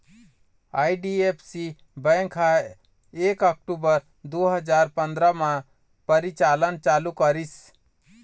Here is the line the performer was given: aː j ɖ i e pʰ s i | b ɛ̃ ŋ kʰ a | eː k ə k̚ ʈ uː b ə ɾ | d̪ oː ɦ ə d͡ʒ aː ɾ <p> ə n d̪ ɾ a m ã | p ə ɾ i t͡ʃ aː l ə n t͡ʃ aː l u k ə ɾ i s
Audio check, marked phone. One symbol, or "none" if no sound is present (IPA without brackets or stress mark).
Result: p